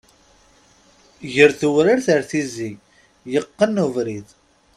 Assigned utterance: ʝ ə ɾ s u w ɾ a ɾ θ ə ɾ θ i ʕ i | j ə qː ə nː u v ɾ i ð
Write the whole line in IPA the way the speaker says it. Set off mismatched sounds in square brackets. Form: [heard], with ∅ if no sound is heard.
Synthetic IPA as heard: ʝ ə ɾ [θ] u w ɾ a ɾ θ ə ɾ θ i [z] i | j ə qː ə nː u v ɾ i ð